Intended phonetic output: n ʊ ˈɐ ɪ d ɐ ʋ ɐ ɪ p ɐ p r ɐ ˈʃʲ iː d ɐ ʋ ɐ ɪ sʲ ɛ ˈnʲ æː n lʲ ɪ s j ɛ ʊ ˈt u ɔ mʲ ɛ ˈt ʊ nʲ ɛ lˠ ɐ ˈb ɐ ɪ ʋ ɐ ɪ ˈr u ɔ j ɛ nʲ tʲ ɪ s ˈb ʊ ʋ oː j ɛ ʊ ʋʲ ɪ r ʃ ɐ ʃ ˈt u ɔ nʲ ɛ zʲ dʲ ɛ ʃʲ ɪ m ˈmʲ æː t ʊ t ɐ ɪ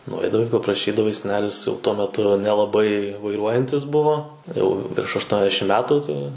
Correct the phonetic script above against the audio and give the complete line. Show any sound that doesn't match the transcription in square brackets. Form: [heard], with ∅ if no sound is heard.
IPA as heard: n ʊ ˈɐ ɪ d ɐ ʋ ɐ ɪ p ɐ p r ɐ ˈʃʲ iː d ɐ ʋ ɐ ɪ sʲ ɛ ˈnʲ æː [∅] lʲ ɪ s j ɛ ʊ ˈt u ɔ mʲ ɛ ˈt ʊ nʲ ɛ lˠ ɐ ˈb ɐ ɪ ʋ ɐ ɪ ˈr u ɔ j ɛ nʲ tʲ ɪ s ˈb ʊ ʋ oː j ɛ ʊ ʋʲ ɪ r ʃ ɐ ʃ ˈt u ɔ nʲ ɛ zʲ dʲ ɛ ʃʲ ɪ m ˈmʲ æː t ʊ t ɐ ɪ

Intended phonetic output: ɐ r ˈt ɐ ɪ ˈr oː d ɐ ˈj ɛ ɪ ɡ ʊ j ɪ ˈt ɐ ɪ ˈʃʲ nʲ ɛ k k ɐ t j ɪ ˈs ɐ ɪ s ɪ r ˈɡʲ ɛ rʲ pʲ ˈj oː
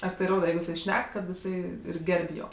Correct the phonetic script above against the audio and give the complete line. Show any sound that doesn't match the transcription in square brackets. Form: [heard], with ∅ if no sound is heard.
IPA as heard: ɐ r ˈt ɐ ɪ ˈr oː d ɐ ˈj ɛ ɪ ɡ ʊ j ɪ [ˈs] ɐ ɪ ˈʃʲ nʲ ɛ k k ɐ t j ɪ ˈs ɐ ɪ [∅] ɪ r ˈɡʲ ɛ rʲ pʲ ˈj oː

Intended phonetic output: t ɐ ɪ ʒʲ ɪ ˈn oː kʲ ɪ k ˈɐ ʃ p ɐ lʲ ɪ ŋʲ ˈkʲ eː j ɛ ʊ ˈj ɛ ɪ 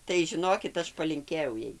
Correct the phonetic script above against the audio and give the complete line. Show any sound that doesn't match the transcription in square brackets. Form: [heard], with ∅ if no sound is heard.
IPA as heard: t ɐ ɪ ʒʲ ɪ ˈn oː kʲ ɪ [t] ˈɐ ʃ p ɐ lʲ ɪ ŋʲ ˈkʲ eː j ɛ ʊ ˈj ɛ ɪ

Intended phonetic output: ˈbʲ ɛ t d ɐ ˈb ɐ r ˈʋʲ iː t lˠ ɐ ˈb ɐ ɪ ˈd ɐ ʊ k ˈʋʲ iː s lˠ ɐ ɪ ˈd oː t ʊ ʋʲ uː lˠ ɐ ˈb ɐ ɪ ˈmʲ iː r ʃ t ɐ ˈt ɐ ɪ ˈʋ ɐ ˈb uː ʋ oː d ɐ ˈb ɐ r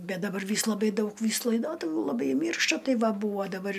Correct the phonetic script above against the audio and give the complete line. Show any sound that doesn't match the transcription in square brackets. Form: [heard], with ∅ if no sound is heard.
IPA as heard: ˈbʲ ɛ t d ɐ ˈb ɐ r ˈʋʲ iː [s] lˠ ɐ ˈb ɐ ɪ ˈd ɐ ʊ k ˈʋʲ iː s lˠ ɐ ɪ ˈd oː t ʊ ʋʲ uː lˠ ɐ ˈb ɐ ɪ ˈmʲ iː r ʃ t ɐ ˈt ɐ ɪ ˈʋ ɐ ˈb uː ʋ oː d ɐ ˈb ɐ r

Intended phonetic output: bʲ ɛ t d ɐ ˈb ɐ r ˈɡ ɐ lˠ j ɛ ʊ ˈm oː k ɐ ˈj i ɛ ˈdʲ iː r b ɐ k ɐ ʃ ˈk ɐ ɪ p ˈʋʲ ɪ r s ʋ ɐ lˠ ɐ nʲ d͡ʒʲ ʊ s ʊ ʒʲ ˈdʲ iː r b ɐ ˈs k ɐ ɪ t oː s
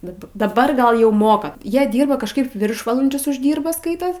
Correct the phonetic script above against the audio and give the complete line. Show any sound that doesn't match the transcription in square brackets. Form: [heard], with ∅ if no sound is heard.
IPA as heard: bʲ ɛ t d ɐ ˈb ɐ r ˈɡ ɐ lˠ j ɛ ʊ ˈm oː k ɐ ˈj i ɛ ˈdʲ iː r b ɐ k ɐ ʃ ˈk ɐ ɪ p ˈʋʲ ɪ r [ʃ] ʋ ɐ lˠ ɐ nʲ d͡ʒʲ ʊ s ʊ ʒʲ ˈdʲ iː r b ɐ ˈs k ɐ ɪ t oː s

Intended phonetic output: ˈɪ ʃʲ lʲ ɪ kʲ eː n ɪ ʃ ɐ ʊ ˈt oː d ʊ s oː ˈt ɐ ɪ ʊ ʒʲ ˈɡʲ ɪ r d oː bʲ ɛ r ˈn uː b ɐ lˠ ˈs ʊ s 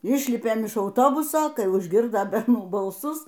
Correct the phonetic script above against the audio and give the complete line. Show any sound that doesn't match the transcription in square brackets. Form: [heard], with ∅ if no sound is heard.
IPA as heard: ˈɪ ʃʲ lʲ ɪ [pʲ] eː [m] ɪ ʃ ɐ ʊ ˈt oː [b] ʊ s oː [ˈk] ɐ ɪ ʊ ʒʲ ˈɡʲ ɪ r d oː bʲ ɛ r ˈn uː b ɐ lˠ ˈs ʊ s

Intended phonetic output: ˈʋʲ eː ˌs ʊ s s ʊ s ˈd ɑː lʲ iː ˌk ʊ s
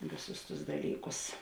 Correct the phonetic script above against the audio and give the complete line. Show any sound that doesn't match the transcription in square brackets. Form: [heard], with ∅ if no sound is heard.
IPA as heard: ˈʋʲ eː ˌs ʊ s [t] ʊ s ˈd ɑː lʲ iː ˌk ʊ s

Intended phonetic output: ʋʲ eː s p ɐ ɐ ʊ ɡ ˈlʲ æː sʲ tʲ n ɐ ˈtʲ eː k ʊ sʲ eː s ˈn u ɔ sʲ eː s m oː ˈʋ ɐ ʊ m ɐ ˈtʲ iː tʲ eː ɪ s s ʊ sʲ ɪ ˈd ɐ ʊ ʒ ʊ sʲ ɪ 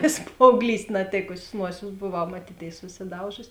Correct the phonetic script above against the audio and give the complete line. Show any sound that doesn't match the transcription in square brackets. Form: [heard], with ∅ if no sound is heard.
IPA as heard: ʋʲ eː s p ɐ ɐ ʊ ɡ ˈlʲ [iː] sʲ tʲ n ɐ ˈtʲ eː k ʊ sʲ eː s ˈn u ɔ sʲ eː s [b] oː ˈʋ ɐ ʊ m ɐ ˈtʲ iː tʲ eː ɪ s s ʊ sʲ ɪ ˈd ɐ ʊ ʒ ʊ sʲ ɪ

